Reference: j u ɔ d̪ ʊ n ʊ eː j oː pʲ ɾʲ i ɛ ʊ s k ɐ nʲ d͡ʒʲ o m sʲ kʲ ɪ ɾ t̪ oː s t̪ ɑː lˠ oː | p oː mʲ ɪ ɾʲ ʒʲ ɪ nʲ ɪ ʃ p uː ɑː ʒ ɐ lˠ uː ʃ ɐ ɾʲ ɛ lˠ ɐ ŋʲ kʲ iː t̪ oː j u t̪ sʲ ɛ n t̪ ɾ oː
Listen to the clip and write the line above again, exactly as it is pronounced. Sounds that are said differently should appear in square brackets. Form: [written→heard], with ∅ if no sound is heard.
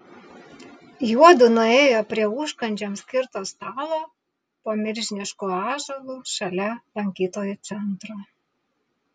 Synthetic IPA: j u ɔ d̪ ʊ n ʊ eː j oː pʲ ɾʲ i ɛ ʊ [s→ʃ] k ɐ nʲ d͡ʒʲ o m sʲ kʲ ɪ ɾ t̪ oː s t̪ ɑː lˠ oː | p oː mʲ ɪ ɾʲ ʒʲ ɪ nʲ ɪ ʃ [p→k] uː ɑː ʒ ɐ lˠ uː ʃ ɐ [ɾʲ→lʲ] ɛ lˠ ɐ ŋʲ kʲ iː t̪ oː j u t̪ sʲ ɛ n t̪ ɾ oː